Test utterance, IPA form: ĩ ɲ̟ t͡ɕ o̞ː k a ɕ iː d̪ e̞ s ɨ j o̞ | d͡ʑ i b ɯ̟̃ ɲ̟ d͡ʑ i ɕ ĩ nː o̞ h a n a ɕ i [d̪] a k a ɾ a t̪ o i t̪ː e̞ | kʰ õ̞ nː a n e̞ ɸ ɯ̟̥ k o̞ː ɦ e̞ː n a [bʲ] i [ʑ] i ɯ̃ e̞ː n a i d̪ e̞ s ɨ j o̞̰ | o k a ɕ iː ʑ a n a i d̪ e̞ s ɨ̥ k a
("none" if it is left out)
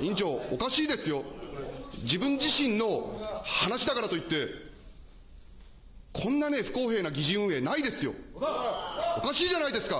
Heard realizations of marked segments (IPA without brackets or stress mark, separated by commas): d̪, ɡʲ, ʑ